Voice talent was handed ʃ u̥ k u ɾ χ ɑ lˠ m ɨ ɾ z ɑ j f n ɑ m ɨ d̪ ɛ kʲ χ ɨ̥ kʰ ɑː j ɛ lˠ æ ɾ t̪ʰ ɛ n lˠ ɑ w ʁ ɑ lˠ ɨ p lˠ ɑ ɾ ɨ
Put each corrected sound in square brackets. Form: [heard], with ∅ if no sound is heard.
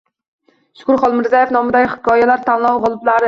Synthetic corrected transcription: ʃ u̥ k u ɾ χ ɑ lˠ m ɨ ɾ z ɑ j f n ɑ m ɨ d̪ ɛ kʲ χ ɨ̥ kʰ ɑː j ɛ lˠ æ ɾ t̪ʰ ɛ n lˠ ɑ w ʁ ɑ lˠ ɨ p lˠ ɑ ɾ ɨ